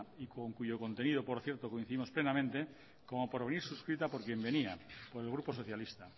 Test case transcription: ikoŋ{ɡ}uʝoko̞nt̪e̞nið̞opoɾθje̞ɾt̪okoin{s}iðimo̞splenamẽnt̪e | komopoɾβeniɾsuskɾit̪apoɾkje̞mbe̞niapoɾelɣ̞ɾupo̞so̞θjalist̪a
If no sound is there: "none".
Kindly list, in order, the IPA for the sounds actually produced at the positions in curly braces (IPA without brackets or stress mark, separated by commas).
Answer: k, θ